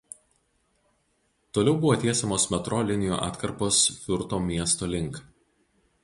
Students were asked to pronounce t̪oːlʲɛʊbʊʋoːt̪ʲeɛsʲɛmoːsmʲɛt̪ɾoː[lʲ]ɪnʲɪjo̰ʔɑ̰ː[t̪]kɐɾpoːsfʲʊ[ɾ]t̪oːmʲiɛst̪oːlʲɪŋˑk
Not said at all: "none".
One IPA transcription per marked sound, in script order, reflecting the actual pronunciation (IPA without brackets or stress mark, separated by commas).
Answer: lʲ, t̪, ɾ